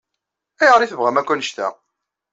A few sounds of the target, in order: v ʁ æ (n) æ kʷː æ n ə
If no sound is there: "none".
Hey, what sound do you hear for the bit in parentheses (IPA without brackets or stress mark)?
m